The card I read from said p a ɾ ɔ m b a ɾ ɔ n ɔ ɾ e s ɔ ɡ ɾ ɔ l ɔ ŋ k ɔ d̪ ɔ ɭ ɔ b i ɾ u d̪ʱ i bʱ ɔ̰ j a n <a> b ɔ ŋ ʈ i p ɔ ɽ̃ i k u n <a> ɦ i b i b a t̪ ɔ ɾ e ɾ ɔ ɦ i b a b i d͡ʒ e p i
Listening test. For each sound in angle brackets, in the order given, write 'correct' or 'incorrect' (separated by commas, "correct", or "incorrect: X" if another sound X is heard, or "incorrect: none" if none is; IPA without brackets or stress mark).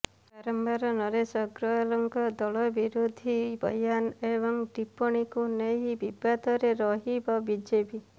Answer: incorrect: e, incorrect: e